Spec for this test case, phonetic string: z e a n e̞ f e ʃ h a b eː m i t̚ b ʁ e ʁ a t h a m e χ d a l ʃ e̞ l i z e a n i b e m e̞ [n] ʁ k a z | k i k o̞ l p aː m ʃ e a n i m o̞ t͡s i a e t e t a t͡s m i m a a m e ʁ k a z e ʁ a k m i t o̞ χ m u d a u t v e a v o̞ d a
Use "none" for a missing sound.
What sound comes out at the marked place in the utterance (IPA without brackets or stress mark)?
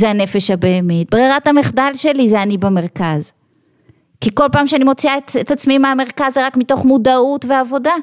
none